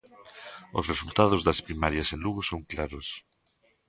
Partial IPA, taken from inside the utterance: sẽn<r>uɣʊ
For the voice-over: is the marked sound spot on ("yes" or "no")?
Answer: no